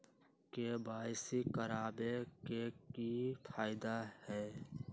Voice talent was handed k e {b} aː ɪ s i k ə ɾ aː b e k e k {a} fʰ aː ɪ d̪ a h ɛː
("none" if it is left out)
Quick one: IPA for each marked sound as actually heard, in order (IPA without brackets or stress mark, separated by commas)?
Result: b, i